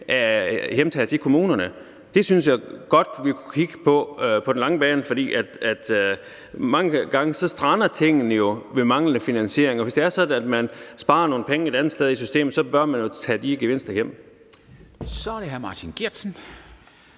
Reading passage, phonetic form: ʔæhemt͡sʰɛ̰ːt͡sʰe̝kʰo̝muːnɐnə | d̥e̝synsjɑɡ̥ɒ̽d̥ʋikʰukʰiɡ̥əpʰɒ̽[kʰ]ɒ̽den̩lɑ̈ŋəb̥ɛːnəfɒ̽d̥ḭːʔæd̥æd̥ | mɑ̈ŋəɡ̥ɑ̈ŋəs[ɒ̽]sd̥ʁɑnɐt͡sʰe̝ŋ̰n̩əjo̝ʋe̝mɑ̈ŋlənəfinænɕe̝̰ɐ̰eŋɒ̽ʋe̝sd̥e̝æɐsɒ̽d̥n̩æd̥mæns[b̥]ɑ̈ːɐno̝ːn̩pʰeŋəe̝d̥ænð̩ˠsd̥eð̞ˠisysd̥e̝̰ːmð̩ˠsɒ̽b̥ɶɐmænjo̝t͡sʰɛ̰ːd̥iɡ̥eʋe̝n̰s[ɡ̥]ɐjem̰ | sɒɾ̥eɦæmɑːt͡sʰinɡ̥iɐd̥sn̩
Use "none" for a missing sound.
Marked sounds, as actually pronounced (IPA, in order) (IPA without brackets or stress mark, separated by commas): pʰ, ɒ̽, b̥, d̥